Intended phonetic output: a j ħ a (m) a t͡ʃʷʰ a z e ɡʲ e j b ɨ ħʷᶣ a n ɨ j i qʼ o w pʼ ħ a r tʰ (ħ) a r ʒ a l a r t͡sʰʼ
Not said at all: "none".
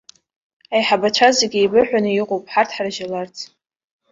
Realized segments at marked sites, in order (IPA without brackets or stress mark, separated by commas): b, ħ